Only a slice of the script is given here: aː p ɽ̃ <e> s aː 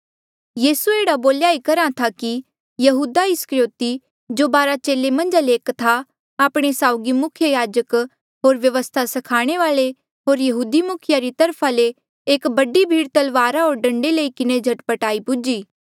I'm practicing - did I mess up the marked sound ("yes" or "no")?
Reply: no